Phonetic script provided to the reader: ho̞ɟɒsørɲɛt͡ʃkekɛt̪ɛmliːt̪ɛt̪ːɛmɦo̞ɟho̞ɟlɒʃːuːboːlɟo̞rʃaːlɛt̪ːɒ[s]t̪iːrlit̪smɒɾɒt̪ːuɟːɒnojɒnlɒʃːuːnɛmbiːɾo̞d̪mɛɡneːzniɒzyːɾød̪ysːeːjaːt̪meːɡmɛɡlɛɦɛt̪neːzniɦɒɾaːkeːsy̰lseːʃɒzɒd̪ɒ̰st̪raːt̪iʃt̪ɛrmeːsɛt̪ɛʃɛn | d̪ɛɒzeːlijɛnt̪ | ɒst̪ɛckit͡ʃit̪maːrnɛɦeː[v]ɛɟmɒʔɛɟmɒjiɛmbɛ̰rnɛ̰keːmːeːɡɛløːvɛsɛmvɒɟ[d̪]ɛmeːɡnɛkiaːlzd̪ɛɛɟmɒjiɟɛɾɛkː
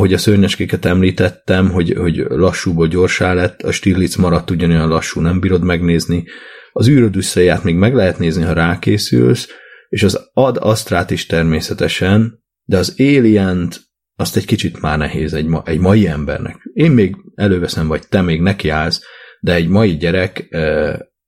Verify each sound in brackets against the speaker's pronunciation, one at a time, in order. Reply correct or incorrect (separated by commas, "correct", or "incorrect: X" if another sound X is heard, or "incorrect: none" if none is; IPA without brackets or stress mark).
incorrect: ʃ, incorrect: z, incorrect: t̪